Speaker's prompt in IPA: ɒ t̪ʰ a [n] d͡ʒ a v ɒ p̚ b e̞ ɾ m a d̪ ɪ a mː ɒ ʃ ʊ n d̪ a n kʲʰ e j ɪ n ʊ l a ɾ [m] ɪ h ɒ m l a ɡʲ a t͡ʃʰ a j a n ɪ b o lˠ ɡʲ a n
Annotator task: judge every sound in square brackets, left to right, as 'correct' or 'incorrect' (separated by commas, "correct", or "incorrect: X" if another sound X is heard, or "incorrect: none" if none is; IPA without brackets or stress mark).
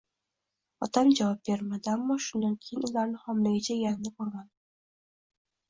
incorrect: m, incorrect: n